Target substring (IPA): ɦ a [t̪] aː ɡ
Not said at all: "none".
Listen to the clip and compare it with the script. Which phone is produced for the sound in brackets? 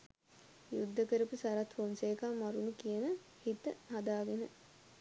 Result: d̪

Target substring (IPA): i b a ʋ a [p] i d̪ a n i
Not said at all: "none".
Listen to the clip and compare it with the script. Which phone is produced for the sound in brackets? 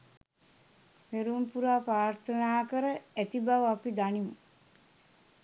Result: p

